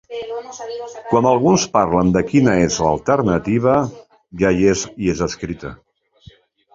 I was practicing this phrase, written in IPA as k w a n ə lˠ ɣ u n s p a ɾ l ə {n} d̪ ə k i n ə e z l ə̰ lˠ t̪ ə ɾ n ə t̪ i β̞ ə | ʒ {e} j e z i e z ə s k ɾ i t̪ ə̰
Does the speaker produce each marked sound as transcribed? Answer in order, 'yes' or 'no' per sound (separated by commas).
yes, no